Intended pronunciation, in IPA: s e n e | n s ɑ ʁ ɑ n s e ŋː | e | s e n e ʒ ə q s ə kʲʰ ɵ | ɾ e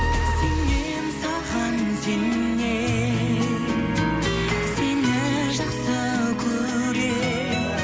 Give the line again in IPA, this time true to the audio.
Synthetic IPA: s e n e | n s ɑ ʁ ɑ n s e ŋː | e | s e n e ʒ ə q s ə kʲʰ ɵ | ɾ e

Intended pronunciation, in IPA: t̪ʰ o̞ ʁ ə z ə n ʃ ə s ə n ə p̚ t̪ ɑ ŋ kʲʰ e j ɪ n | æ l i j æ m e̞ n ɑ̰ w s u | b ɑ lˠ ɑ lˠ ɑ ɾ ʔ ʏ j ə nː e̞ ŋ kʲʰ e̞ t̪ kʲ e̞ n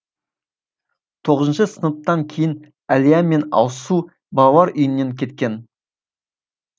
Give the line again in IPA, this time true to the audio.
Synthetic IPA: t̪ʰ o̞ ʁ ə z ə n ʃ ə s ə n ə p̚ t̪ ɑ ŋ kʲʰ e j ɪ n | æ l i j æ m e̞ n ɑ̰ w s u | b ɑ lˠ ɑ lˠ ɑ ɾ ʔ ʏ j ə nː e̞ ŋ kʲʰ e̞ t̪ kʲ e̞ n

